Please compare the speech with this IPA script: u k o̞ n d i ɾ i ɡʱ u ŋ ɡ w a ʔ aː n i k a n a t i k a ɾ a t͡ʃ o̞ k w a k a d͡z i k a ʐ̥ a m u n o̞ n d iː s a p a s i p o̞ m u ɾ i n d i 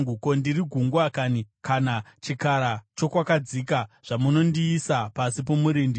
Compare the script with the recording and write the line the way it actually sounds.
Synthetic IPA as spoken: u k o̞ n d i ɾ i ɡʱ u ŋ ɡ w a k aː n i k a n a t͡ʃ i k a ɾ a t͡ʃ o̞ k w a k a d͡z i k a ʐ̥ a m u n o̞ n d iː s a p a s i p o̞ m u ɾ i n d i